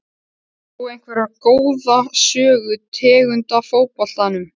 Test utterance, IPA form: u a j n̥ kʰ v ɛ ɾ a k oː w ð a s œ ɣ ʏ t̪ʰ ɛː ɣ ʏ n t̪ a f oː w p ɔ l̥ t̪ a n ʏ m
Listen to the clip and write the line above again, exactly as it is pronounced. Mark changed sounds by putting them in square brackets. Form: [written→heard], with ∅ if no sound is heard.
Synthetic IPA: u [a→e] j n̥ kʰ v ɛ ɾ a k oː w ð a s [œ→œː] ɣ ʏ t̪ʰ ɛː ɣ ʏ n t̪ a f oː w p ɔ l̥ t̪ a n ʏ m